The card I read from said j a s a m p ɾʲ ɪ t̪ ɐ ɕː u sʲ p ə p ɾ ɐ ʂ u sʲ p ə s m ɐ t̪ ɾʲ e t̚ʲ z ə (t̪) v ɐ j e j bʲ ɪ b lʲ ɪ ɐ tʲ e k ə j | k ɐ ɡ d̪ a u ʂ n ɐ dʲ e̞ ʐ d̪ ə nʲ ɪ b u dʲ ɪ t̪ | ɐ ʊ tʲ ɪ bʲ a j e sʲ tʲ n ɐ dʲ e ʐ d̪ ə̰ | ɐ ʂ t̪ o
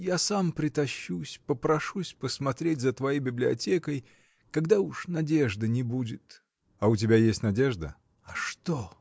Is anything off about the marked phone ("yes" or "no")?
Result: no